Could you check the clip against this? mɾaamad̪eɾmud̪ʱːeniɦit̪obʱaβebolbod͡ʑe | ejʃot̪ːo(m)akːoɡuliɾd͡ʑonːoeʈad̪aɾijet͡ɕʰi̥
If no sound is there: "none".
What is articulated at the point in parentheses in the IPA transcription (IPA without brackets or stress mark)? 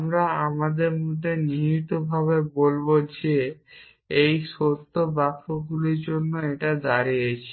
b